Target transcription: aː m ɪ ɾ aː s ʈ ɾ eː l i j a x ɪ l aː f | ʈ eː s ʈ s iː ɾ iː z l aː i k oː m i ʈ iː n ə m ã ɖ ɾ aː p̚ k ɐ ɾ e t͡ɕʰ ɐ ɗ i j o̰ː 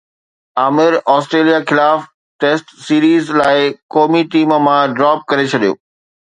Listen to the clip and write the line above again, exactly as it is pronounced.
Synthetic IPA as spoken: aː m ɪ ɾ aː s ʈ ɾ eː l i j a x ɪ l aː f | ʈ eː s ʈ s iː ɾ iː z l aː ɪ k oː m i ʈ iː m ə m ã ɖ ɾ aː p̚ k ɐ ɾ e t͡ɕʰ ɐ ɗ i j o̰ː